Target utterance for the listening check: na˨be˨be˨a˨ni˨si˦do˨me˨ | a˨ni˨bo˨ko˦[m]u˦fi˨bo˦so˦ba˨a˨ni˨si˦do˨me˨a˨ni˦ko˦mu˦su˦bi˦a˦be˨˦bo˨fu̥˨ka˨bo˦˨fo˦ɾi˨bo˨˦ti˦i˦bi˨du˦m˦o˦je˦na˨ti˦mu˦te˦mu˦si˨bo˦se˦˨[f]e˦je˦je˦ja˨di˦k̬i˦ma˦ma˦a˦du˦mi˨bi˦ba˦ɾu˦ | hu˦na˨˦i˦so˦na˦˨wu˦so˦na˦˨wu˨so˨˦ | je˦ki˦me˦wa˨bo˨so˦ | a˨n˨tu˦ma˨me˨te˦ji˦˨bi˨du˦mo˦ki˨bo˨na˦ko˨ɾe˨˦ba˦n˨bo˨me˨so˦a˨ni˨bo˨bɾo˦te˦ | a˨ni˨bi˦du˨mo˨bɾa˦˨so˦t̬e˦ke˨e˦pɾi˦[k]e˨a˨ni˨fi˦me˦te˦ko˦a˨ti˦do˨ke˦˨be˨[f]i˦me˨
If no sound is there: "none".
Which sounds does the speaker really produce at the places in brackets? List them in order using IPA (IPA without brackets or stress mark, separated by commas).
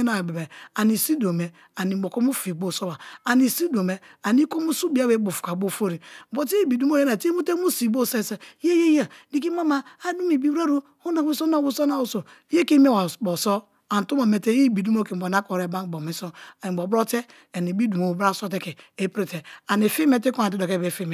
m, s, t, f